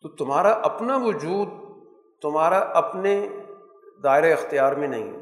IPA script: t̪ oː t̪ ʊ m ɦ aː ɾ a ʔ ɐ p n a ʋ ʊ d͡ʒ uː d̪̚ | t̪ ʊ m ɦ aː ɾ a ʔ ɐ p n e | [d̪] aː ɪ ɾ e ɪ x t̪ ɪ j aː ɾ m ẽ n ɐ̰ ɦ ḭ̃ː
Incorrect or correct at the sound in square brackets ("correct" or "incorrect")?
correct